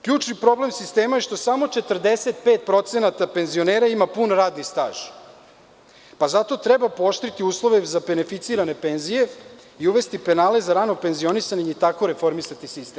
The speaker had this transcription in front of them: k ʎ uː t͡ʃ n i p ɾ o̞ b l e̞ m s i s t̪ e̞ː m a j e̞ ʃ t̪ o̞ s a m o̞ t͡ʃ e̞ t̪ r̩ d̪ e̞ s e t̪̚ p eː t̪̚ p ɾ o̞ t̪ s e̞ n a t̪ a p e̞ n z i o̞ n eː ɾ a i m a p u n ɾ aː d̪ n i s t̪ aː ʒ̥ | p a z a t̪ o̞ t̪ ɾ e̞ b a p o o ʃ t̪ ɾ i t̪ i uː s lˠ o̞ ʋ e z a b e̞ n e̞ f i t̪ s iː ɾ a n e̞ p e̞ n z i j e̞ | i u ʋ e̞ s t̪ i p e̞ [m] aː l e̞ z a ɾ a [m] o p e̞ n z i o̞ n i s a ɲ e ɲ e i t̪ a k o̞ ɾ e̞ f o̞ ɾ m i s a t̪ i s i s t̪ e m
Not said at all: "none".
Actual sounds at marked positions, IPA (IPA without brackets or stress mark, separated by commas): n, n